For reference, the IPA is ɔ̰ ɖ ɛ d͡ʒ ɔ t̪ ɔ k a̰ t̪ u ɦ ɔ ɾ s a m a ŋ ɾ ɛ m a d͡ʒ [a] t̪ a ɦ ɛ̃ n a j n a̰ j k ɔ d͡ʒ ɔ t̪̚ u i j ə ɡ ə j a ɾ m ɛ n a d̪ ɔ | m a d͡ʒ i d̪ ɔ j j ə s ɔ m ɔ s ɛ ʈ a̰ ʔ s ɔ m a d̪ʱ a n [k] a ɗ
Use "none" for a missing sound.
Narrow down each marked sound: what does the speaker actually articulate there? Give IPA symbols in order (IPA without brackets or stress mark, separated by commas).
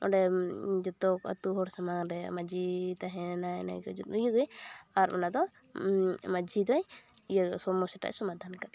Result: i, k